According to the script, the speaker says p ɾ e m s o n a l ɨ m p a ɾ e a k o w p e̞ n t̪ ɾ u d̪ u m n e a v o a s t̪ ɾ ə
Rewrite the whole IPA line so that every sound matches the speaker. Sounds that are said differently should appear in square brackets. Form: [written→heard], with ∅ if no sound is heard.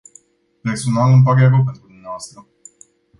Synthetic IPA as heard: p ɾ e [m→∅] s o n a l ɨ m p a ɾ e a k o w p e̞ n t̪ ɾ u d̪ u m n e a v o a s t̪ ɾ ə